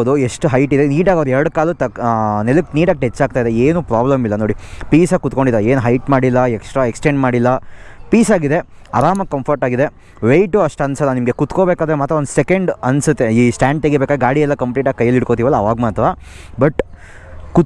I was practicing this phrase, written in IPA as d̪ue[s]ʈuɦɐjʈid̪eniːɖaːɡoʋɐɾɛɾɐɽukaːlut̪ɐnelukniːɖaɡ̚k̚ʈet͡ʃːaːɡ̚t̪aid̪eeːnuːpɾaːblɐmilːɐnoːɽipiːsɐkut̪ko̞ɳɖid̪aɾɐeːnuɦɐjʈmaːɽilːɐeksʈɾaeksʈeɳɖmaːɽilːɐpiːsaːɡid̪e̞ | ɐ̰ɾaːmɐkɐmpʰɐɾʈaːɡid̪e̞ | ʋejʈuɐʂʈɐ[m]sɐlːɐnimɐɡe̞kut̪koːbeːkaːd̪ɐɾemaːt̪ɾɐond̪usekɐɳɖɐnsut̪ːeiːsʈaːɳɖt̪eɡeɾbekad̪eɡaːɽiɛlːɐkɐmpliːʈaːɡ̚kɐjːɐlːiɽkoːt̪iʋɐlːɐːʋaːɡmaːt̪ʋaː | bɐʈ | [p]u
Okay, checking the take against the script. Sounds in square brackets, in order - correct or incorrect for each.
incorrect: ʂ, incorrect: n, incorrect: k

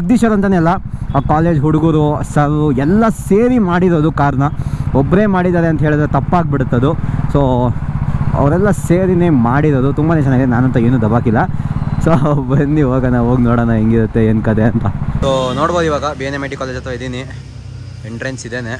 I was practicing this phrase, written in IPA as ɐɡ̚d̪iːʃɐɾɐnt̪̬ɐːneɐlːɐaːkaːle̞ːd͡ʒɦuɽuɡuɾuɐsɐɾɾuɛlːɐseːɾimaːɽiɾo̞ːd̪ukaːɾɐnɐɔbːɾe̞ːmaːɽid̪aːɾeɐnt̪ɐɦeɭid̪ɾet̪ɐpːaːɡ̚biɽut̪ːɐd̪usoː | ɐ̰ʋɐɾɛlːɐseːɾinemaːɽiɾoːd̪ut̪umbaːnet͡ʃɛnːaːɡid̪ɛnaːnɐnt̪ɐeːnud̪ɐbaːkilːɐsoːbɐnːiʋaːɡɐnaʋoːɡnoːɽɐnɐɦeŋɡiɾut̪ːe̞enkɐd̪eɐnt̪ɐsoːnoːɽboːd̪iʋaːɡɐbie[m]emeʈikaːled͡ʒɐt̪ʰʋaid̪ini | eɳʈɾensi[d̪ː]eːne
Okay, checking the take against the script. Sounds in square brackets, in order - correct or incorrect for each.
incorrect: n, incorrect: d̪

